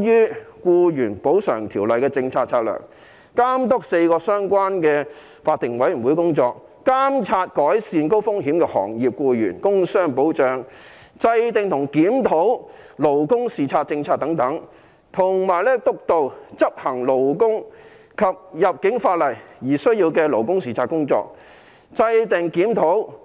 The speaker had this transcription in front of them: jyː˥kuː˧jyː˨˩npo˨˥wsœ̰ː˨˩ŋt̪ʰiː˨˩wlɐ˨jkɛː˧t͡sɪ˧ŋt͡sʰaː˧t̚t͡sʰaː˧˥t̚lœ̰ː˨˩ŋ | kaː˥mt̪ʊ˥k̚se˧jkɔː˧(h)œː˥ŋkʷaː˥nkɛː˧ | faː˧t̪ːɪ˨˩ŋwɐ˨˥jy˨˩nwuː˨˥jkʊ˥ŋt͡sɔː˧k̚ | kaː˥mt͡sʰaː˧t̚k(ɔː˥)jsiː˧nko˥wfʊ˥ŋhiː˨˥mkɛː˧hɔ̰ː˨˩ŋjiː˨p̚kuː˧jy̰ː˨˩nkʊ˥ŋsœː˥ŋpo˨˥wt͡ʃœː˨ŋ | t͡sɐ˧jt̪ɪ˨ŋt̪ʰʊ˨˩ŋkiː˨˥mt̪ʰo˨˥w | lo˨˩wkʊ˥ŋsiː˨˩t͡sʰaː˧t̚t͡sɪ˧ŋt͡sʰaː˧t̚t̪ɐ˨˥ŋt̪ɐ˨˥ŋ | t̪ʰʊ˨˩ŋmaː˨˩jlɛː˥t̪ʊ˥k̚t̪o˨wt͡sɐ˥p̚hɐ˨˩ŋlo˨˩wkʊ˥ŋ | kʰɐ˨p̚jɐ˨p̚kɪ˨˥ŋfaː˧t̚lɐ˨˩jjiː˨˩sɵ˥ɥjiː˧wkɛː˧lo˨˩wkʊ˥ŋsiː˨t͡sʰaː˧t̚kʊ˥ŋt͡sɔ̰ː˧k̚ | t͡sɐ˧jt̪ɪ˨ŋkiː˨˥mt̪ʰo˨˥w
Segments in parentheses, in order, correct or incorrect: incorrect: s, incorrect: ɔː˨˥

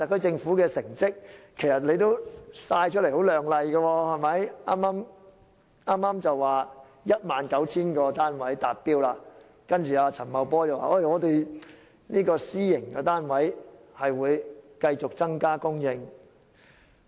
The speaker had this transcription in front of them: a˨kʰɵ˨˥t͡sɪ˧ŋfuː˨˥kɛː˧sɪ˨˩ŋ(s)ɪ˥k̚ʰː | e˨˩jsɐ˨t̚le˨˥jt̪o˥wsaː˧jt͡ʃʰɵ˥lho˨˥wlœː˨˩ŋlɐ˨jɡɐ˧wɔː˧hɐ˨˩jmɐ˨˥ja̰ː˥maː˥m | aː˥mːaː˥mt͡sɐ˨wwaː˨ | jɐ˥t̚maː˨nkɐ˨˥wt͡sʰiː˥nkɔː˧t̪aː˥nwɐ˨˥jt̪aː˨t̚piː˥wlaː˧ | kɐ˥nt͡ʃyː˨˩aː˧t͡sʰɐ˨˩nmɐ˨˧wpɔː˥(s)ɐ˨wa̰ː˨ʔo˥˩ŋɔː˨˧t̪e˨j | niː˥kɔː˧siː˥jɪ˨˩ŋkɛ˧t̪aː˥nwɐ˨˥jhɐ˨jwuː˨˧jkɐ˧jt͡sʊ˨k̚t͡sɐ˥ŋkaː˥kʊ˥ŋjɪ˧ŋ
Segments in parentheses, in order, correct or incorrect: incorrect: t͡s, incorrect: t͡s

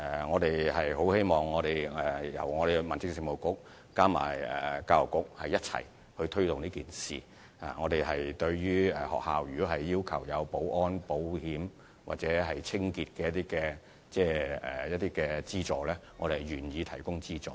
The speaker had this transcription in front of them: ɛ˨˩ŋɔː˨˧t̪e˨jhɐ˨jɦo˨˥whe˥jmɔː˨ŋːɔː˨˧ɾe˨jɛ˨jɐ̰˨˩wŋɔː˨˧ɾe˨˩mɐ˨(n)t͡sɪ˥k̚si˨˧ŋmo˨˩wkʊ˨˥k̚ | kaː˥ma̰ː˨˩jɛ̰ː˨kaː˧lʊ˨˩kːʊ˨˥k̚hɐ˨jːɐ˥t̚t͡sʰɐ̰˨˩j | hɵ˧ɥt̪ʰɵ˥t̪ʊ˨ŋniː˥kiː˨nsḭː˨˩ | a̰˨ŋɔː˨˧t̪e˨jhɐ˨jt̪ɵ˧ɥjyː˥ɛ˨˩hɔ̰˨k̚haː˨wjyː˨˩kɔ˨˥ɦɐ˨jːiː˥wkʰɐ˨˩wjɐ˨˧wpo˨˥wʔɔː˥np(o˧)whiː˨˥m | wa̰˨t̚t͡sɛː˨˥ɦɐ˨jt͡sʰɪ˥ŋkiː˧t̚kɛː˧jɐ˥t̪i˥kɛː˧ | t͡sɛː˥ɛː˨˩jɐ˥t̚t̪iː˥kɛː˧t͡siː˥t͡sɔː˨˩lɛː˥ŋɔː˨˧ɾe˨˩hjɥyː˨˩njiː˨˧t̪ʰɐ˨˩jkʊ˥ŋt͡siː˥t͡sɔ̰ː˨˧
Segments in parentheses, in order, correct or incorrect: correct, incorrect: o˨˥

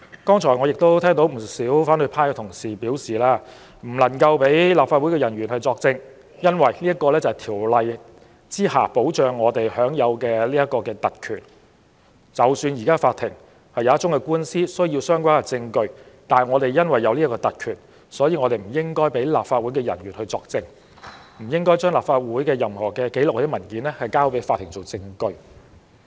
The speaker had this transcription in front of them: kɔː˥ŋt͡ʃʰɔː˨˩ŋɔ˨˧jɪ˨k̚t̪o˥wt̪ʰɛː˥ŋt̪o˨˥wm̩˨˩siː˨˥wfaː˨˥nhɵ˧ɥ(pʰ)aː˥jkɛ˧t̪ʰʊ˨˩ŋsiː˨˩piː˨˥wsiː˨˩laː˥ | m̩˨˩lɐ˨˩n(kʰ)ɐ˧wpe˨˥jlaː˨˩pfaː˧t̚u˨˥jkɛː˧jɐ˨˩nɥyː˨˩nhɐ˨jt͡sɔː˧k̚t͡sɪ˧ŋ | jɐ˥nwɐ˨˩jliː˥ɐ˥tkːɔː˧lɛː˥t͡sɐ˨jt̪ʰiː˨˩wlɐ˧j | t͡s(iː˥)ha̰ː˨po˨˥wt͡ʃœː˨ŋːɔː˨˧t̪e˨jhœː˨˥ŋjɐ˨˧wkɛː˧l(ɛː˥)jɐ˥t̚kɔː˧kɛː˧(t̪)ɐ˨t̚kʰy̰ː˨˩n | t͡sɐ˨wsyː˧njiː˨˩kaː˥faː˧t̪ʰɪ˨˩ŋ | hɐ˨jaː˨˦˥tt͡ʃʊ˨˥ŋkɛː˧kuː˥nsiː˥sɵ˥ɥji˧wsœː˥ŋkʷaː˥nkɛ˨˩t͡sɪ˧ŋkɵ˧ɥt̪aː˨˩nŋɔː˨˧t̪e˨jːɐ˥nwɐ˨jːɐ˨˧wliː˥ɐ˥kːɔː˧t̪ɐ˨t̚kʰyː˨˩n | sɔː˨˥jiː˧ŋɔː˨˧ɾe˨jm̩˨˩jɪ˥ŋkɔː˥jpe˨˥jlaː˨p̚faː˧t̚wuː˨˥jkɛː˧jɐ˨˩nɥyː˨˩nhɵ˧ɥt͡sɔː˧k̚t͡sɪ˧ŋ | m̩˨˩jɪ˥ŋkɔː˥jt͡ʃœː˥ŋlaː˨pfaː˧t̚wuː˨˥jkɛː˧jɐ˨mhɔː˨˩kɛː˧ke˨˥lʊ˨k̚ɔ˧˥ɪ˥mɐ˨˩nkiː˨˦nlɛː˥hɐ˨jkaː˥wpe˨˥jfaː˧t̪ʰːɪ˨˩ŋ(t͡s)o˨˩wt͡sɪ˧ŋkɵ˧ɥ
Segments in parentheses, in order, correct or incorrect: correct, incorrect: k, correct, incorrect: iː˥, correct, correct

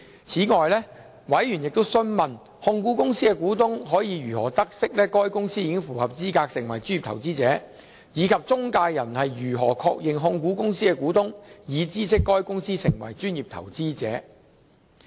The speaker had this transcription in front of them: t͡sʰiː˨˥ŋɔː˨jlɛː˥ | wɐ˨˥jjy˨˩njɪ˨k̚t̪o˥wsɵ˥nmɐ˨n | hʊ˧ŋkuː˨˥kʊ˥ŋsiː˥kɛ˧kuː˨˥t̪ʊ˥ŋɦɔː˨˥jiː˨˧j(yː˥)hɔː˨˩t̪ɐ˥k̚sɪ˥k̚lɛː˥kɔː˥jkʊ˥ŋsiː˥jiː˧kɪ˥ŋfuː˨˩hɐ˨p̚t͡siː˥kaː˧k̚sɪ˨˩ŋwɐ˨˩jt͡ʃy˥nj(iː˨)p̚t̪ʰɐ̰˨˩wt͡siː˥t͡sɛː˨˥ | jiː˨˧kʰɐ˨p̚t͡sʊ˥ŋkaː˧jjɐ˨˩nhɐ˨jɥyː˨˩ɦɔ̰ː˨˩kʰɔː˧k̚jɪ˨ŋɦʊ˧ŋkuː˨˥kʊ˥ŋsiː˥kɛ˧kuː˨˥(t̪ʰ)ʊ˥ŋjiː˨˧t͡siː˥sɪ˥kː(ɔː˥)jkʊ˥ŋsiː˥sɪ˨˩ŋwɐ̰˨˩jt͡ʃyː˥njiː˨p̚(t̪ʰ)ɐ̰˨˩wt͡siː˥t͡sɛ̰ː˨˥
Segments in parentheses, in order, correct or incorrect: incorrect: yː˨˩, incorrect: i˨, incorrect: t̪, correct, correct

